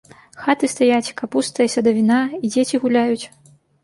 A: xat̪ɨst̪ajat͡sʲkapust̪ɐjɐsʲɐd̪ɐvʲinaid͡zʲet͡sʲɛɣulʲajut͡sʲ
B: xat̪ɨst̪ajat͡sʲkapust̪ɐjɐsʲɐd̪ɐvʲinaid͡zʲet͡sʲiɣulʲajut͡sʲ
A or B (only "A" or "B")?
B